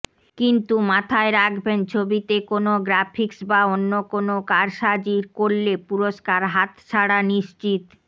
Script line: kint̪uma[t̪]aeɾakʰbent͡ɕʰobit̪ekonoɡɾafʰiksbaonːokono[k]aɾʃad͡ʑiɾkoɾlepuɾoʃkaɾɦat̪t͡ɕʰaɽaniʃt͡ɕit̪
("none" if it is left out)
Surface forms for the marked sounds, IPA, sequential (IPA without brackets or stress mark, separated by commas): t̪ʰ, k